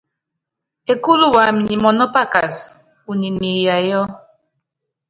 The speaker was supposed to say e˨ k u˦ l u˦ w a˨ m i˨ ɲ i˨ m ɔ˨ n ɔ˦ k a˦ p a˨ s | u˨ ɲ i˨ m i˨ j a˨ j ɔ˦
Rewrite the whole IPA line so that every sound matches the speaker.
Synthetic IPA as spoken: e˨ k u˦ l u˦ w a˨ m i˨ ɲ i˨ m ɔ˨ n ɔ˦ p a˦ k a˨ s | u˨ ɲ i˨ n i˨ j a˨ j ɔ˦

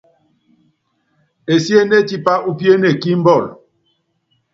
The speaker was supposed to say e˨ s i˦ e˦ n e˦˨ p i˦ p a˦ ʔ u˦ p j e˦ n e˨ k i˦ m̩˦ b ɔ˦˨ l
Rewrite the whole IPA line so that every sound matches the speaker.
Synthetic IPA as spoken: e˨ s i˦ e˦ n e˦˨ t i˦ p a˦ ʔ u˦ p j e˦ n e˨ k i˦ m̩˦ b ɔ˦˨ l

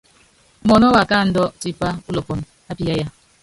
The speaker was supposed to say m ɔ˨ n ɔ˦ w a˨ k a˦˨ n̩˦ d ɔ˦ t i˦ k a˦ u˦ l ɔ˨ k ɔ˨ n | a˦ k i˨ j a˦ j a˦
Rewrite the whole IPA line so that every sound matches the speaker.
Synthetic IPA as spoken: m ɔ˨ n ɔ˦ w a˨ k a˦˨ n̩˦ d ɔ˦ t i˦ p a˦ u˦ l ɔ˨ p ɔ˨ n | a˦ p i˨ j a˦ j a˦

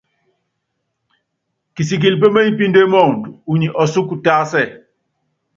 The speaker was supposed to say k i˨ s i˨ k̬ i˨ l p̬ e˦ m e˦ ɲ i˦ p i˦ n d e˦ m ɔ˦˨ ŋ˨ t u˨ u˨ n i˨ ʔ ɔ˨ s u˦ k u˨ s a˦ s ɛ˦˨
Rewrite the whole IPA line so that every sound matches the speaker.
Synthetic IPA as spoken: k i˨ s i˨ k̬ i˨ l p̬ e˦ m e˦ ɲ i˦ p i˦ n d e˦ m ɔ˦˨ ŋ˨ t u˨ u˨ ɲ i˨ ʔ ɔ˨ s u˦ k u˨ t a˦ s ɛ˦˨

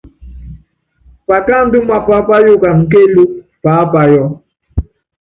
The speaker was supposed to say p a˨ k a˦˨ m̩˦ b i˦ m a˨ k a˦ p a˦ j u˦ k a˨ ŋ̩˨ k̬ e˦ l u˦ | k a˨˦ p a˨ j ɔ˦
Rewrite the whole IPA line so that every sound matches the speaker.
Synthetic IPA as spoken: p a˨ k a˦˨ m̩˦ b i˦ m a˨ p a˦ p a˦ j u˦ k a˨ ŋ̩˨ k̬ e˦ l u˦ | p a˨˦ p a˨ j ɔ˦

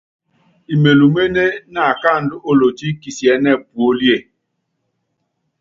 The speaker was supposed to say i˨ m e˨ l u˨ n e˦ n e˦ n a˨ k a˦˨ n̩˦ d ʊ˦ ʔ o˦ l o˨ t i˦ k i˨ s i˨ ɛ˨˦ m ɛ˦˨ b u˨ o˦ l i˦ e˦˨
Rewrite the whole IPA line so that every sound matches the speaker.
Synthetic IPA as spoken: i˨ m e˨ l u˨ m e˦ n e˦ n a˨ k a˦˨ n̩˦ d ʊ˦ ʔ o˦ l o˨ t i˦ k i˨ s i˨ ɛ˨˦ n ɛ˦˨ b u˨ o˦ l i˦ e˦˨

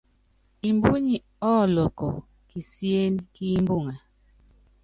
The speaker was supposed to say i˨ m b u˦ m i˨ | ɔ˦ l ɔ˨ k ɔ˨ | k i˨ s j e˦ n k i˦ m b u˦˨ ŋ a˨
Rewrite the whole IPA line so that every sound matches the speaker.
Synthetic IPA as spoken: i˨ m b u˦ ɲ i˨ | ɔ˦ l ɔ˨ k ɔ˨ | k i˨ s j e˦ n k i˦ m b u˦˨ ŋ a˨

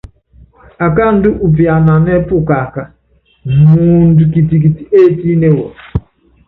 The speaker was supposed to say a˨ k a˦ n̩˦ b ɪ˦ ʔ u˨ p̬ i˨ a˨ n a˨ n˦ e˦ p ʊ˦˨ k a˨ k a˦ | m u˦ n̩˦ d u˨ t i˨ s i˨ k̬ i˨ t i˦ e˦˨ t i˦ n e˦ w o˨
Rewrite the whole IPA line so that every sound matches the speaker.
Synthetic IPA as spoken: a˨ k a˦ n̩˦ d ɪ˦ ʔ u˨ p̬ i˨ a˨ n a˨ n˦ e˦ p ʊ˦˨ k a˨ k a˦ | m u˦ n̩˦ d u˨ k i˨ t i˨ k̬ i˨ t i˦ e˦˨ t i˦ n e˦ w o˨

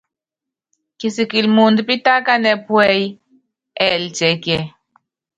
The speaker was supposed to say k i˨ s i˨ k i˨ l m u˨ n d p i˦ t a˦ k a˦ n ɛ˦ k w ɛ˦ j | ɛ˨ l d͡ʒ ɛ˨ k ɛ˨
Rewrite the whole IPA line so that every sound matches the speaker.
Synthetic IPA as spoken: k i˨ s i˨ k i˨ l m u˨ n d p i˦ t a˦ k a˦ n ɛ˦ p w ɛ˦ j | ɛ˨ l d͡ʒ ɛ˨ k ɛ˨

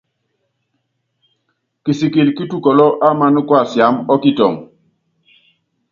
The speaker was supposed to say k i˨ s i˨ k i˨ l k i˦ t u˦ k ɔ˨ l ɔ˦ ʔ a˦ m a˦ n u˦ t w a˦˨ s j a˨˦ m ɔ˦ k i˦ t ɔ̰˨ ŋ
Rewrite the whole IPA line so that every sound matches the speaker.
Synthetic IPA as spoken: k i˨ s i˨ k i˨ l k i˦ t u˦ k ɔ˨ l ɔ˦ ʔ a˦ m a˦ n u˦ k w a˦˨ s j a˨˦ m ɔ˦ k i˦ t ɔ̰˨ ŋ

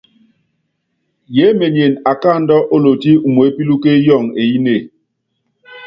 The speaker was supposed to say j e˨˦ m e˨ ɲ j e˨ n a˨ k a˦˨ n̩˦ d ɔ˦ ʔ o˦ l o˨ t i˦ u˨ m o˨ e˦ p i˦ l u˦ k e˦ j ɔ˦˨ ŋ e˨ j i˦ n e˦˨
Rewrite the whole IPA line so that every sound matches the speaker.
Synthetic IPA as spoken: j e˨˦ m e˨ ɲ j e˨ n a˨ k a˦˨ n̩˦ d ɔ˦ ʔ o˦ l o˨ t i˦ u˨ m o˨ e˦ p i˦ l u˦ k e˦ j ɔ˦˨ ŋ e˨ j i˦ n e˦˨

